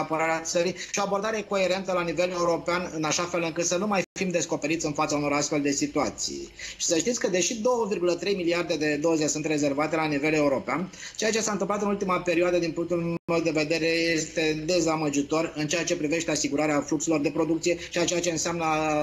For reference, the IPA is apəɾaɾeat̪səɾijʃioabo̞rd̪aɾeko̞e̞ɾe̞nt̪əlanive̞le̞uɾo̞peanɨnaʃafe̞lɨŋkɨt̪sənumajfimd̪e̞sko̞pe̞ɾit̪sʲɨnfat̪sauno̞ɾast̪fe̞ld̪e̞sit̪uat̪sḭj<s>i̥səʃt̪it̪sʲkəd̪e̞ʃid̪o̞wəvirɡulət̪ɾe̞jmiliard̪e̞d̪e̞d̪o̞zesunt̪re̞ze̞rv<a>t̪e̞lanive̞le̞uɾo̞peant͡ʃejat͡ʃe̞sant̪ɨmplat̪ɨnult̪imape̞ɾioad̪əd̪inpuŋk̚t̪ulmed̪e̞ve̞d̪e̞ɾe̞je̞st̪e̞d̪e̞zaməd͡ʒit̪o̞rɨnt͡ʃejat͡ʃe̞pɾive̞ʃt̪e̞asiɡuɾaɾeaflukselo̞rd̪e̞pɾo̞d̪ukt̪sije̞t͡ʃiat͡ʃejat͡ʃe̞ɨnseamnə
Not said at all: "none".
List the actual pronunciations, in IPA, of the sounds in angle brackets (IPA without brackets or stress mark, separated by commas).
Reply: ʃ, a